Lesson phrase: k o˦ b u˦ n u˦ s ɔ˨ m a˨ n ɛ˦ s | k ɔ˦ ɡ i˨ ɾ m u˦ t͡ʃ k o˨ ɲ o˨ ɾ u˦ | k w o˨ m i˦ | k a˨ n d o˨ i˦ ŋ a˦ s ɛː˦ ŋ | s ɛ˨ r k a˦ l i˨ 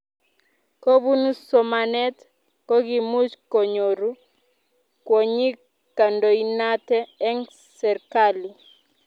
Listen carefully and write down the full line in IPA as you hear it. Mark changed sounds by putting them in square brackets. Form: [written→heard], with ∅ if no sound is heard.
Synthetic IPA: k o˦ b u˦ n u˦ s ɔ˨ m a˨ n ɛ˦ [s→t] | k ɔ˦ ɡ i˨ [ɾ→∅] m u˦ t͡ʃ k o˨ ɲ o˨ ɾ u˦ | k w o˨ [m→ɲ] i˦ | k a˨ n d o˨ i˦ [ŋ→n] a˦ [s→t] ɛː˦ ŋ | s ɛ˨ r k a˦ l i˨